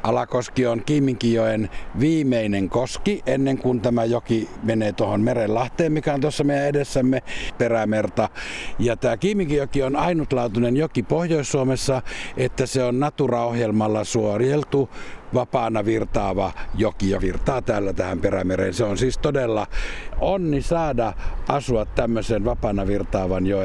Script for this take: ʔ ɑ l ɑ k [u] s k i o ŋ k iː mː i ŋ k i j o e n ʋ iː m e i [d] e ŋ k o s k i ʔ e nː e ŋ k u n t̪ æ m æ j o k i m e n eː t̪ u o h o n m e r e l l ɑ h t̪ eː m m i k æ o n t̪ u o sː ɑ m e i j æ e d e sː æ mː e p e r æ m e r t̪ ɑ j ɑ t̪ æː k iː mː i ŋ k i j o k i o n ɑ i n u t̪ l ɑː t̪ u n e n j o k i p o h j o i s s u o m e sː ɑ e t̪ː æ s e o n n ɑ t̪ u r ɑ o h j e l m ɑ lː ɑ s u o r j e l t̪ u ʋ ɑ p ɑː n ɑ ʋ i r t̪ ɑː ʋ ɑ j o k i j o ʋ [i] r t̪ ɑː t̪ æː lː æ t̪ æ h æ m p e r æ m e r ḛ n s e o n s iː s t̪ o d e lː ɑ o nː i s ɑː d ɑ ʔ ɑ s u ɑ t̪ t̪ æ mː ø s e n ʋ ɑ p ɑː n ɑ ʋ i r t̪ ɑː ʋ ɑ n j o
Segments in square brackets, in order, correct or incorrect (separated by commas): incorrect, incorrect, correct